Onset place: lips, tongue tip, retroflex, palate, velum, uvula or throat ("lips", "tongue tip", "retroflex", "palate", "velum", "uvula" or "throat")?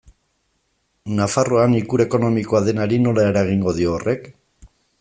tongue tip